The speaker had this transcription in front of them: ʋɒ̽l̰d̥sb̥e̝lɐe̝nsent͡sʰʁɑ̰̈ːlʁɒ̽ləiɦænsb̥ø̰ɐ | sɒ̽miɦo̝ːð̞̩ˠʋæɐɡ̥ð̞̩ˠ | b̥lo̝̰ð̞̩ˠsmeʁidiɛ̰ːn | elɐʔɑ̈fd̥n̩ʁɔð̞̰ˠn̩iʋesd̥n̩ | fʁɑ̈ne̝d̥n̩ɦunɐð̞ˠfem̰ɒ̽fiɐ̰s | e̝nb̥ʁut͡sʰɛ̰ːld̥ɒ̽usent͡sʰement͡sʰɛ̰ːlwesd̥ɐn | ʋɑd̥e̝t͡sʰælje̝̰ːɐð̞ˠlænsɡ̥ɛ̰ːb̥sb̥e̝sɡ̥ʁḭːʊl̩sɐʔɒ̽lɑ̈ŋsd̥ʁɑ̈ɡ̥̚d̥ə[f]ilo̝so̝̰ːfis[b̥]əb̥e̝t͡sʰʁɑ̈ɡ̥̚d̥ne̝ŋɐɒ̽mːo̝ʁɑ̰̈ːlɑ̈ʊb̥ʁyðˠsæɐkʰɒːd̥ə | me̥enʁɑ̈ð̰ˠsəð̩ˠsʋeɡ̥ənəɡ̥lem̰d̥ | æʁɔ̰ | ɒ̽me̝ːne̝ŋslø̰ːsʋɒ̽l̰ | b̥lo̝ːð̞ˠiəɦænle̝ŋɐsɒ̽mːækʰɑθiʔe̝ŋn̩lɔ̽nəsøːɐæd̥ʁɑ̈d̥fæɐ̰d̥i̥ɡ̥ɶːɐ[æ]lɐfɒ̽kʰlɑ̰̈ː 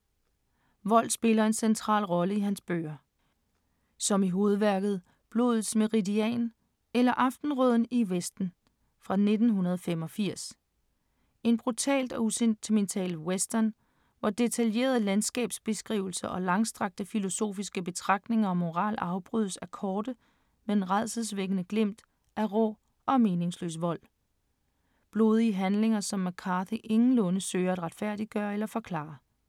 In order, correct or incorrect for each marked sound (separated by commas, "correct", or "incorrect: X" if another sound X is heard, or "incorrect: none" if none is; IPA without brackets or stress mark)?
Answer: correct, incorrect: ɡ̥, incorrect: e